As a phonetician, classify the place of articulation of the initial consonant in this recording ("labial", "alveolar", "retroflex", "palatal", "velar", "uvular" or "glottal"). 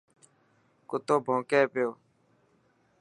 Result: velar